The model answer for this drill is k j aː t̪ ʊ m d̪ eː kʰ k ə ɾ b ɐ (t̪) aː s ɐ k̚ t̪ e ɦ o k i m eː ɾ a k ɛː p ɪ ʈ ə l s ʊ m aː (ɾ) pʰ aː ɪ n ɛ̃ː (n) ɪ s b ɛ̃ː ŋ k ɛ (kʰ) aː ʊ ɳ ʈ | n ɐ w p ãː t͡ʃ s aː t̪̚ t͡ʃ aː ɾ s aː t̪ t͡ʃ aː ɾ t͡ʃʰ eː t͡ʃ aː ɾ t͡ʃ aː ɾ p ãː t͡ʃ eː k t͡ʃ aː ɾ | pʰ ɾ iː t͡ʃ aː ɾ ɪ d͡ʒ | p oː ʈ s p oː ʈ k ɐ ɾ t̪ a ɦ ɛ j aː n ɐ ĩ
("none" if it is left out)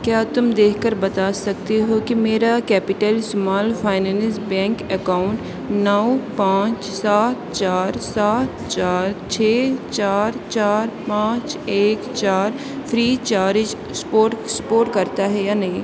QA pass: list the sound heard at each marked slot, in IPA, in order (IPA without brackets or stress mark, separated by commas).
t̪, l, n, k